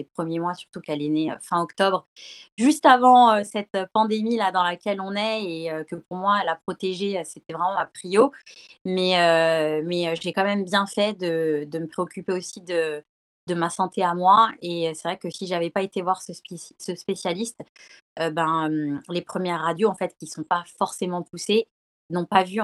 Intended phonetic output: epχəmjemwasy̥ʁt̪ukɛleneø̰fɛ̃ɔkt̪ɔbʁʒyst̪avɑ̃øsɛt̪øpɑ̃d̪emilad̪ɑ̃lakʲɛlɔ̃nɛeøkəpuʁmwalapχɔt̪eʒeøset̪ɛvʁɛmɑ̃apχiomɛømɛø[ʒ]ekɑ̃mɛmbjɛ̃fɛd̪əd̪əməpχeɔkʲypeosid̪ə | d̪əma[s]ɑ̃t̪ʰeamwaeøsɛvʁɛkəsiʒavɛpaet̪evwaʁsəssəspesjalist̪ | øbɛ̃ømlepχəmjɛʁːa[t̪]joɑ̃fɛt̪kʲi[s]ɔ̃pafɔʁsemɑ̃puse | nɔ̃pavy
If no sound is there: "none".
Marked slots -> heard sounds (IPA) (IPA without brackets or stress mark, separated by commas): ʒ, s, d̪, s